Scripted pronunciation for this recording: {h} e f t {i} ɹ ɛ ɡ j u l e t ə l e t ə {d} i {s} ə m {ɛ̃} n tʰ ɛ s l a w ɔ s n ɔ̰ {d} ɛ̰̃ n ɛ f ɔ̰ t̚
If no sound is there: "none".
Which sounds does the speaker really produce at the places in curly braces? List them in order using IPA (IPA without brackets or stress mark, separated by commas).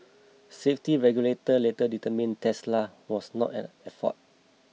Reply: s, i, d, t, ĩ, t